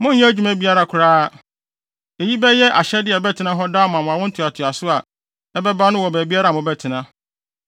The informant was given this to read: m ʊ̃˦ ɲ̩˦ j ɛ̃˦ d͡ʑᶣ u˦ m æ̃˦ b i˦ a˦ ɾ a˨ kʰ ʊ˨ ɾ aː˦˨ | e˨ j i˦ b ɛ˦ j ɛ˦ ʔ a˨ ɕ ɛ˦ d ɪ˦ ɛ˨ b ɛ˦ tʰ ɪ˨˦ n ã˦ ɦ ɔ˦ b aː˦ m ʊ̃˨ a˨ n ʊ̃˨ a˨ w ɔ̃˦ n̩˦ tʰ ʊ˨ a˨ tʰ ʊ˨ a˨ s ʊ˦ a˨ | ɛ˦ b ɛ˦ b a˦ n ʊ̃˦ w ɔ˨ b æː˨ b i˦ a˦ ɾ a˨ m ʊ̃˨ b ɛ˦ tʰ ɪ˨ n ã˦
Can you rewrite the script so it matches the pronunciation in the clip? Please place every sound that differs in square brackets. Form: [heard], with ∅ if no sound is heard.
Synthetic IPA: m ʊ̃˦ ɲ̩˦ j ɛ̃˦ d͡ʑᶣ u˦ m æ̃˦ b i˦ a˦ ɾ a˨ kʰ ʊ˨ ɾ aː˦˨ | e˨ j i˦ b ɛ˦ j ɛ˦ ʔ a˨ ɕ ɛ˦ d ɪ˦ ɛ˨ b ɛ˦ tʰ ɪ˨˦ n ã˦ ɦ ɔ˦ [d] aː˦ m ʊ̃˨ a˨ [m] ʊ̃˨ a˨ w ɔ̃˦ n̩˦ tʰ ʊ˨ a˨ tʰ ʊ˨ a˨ s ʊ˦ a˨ | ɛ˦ b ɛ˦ b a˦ n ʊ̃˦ w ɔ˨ b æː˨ b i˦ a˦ ɾ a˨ m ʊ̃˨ b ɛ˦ tʰ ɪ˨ n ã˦